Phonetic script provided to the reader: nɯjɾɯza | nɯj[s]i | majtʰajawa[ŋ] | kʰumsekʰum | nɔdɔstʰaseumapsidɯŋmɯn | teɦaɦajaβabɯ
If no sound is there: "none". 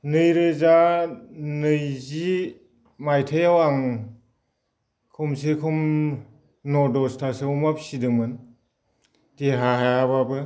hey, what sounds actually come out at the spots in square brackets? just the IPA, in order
z, ŋ

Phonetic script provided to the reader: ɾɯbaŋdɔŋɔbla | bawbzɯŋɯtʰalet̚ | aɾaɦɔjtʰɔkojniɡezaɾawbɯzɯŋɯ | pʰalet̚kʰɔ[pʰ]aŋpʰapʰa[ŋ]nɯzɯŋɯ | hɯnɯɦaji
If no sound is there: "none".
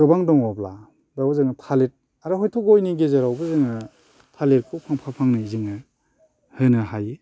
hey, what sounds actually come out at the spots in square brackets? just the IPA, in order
pʰ, ŋ

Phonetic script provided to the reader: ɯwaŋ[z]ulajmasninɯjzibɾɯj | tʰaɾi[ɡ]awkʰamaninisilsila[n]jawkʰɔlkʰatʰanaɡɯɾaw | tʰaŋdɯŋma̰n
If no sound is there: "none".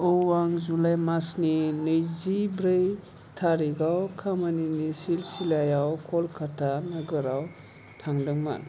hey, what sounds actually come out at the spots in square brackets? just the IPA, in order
z, ɡ, none

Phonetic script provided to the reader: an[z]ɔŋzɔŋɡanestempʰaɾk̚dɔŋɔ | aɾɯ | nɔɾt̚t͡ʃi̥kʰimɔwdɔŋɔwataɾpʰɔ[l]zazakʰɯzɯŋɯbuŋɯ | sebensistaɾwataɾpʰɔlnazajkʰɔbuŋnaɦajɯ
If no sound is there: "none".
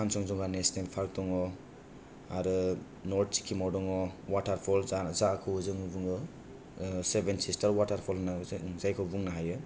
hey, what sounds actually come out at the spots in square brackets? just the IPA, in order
s, l

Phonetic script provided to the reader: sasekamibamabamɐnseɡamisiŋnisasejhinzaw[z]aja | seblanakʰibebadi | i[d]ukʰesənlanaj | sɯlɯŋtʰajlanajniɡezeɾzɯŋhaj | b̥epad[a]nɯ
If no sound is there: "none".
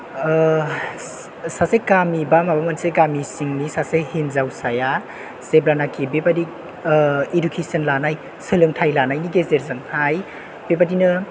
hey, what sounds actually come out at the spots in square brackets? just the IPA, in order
s, d, i

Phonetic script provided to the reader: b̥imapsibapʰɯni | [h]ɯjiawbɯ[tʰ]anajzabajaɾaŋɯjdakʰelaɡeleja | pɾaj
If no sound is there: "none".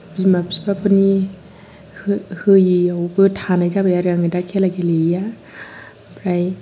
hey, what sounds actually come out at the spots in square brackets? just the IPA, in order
h, tʰ

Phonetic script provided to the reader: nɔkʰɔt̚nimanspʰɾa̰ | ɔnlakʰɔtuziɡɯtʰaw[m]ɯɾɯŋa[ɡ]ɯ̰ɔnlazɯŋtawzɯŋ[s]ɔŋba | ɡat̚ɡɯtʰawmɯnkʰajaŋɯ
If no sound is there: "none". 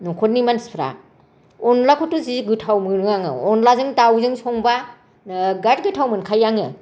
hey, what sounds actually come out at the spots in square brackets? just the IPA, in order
m, ŋ, s

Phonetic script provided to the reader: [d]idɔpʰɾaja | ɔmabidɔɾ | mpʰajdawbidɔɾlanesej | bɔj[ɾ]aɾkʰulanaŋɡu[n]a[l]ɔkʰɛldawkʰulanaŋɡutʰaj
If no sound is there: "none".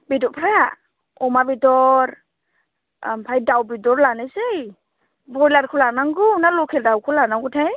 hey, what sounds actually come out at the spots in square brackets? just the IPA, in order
b, l, n, l

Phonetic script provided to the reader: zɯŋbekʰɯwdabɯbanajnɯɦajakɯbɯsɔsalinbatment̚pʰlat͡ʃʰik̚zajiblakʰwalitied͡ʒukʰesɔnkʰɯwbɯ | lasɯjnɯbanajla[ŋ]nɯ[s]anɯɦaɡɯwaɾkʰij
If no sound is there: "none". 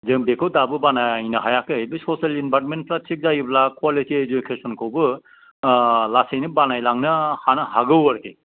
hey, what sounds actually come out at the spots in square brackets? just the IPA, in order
ŋ, h

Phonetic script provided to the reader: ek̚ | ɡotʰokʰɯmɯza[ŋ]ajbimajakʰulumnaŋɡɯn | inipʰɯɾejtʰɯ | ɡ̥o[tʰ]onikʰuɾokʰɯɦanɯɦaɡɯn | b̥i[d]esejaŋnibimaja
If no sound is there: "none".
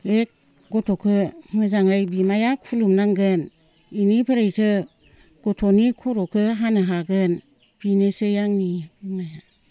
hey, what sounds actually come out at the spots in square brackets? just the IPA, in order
ŋ, tʰ, n

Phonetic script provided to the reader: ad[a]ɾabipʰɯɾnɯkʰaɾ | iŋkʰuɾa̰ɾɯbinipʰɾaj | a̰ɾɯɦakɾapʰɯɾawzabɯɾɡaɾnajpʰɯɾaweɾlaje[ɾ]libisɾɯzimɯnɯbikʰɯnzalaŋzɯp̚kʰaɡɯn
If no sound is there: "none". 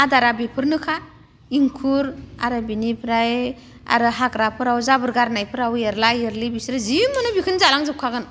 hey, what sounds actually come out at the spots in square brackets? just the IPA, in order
a, ɾ

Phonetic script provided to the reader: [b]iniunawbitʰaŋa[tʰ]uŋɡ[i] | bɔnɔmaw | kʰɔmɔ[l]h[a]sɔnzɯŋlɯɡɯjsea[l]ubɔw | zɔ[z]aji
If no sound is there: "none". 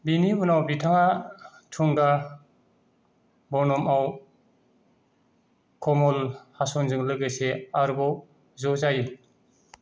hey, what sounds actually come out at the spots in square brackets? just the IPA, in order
b, tʰ, a, l, a, ɾ, z

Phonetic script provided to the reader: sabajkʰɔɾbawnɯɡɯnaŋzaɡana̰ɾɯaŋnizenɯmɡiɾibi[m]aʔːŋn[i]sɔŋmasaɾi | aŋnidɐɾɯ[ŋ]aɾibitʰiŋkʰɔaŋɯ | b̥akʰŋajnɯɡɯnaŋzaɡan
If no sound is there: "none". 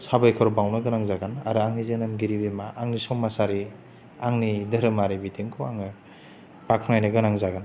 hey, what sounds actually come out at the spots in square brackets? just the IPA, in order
m, i, m

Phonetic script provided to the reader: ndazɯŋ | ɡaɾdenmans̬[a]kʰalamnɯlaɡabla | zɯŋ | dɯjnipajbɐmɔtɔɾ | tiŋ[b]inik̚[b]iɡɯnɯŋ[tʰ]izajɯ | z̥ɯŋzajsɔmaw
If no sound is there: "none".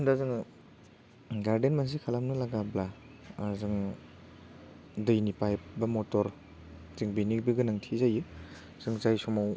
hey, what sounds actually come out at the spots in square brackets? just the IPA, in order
i, b, b, tʰ

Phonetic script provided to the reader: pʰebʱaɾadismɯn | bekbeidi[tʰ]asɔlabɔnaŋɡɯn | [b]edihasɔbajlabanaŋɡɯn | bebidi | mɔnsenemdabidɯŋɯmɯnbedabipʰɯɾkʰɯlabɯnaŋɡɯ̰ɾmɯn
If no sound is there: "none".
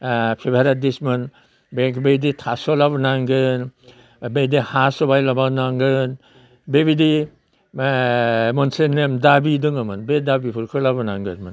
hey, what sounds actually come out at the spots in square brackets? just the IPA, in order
tʰ, b

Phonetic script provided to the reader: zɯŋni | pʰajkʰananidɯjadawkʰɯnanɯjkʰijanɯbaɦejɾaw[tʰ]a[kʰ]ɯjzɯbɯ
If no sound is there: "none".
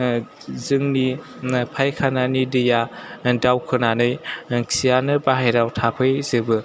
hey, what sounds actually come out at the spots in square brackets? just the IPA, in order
tʰ, pʰ

